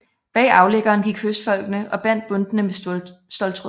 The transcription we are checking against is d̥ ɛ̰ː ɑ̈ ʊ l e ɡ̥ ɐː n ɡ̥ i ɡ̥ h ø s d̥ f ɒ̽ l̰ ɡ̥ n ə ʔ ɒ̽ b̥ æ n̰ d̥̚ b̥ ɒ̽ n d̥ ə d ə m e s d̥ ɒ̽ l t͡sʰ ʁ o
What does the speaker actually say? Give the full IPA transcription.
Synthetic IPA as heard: b̥ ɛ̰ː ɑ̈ ʊ l e ɡ̥ ɐː n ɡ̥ i ɡ̥ h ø s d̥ f ɒ̽ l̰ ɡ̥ n ə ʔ ɒ̽ b̥ æ n̰ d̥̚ b̥ ɔ̽ n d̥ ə n ə m e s d̥ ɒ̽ l t͡sʰ ʁ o